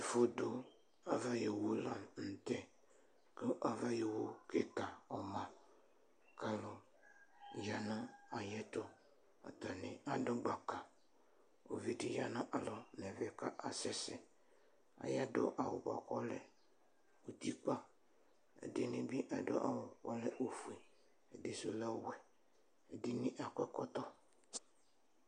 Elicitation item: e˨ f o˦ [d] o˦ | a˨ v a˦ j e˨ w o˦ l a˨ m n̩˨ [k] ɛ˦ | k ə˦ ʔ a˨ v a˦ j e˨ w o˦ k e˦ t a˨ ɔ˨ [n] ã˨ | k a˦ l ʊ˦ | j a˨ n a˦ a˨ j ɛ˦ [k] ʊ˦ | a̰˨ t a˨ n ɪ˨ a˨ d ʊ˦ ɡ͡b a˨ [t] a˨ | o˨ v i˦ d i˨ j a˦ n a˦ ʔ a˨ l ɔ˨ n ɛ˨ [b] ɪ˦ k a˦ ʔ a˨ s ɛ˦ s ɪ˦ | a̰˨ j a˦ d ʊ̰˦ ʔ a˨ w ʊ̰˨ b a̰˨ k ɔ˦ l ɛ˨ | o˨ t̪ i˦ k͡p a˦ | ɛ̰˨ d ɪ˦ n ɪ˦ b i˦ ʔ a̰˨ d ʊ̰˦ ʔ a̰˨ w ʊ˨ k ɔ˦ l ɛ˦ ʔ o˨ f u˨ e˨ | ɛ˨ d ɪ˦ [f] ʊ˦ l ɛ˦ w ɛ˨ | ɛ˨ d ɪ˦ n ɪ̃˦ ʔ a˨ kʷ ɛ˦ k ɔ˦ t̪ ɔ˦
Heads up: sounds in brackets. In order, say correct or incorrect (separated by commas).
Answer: correct, incorrect, incorrect, incorrect, incorrect, incorrect, incorrect